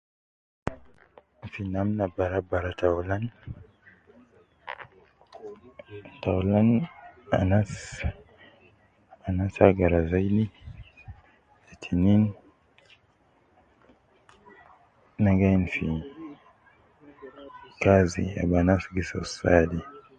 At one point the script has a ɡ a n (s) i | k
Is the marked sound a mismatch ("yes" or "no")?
yes